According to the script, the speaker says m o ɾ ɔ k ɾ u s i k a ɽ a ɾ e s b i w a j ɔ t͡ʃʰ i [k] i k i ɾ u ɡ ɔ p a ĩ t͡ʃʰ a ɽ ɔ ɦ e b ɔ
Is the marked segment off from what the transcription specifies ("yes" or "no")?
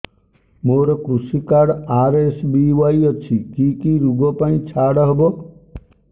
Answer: no